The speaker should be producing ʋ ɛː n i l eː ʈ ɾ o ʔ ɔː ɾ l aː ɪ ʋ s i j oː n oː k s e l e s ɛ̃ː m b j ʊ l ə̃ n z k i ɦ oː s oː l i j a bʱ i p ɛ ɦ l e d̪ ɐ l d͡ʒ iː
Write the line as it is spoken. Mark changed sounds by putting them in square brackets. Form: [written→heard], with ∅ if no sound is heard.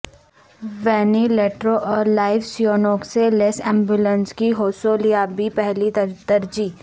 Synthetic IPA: ʋ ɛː n i l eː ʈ ɾ o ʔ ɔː ɾ l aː ɪ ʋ s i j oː n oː k s e l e s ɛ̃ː m b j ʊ l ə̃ n [z→s] k i ɦ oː s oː l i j a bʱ i p ɛ ɦ l [e→i] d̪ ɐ [l→ɾ] d͡ʒ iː